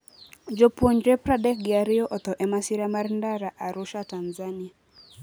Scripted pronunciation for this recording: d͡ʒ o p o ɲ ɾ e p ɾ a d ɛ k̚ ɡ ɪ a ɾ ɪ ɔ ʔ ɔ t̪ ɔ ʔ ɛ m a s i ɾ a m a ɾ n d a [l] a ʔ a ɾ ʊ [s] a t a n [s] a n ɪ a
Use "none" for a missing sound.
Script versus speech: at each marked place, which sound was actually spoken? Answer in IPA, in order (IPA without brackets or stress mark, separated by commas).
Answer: ɾ, ʃ, z